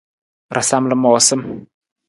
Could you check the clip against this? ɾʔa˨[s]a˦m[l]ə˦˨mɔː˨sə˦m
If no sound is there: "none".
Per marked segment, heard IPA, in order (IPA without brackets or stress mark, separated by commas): s, l